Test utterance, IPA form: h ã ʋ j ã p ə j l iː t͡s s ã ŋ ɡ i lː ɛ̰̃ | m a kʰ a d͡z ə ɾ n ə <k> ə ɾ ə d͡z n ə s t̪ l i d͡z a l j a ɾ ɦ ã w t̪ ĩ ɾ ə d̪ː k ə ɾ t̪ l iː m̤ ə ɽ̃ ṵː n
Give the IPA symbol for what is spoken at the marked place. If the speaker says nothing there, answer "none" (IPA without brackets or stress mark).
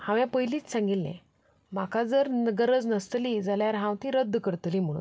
ɡ